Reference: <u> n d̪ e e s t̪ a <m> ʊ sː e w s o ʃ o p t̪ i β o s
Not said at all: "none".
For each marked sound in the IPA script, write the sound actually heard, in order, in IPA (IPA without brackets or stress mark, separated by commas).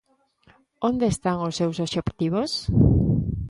o, ŋ